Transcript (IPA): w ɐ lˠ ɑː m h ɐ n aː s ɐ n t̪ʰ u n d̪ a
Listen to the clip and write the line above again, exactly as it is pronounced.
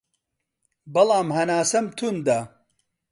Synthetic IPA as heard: b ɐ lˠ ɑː m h ɐ n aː s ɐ m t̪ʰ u n d̪ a